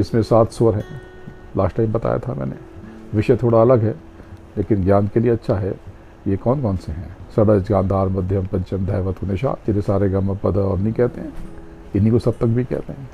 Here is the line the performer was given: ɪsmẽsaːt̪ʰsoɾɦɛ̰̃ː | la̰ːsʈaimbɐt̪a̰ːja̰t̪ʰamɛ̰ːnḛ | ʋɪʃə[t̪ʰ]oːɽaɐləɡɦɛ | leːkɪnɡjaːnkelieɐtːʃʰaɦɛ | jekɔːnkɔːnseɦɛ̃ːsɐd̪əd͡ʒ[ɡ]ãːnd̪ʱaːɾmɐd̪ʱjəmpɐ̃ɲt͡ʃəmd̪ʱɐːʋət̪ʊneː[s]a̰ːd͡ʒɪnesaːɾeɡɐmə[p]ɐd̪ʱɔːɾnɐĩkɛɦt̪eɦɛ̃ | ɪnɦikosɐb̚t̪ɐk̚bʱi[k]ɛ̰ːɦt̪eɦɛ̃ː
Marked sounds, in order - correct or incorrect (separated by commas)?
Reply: correct, correct, incorrect, correct, correct